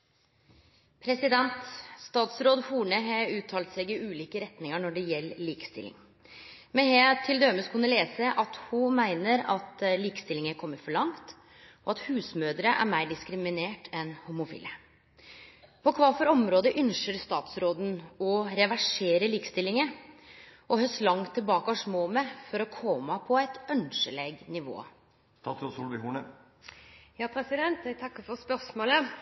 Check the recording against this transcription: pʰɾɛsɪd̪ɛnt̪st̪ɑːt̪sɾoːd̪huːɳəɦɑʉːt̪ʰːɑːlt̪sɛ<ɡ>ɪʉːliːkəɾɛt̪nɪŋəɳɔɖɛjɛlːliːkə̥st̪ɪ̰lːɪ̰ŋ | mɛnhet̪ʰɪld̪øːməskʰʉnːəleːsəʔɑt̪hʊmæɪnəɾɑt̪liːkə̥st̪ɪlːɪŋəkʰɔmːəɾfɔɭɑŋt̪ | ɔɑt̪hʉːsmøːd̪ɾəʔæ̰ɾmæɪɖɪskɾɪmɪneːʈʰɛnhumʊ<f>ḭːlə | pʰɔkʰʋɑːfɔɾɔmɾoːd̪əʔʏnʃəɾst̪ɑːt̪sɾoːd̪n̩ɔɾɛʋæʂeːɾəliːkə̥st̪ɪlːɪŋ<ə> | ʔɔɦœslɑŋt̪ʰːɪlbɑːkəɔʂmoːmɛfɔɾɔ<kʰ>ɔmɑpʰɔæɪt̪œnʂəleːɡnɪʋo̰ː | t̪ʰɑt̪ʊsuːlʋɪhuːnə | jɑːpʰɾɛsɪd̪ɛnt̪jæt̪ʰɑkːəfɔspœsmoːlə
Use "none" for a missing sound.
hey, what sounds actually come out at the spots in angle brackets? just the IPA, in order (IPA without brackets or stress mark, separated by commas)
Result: ɡ, f, ə, kʰ